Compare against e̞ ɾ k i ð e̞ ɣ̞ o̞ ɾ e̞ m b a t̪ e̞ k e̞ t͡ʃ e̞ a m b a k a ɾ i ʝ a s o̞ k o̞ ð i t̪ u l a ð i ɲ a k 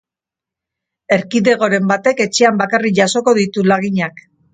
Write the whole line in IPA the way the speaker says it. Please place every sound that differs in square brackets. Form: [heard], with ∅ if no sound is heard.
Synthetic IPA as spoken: e̞ ɾ k i ð e̞ ɣ̞ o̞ ɾ e̞ m b a t̪ e̞ k e̞ t͡ʃ e̞ a m b a k a [r] i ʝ a s o̞ k o̞ ð i t̪ u l a [ɣ] i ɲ a k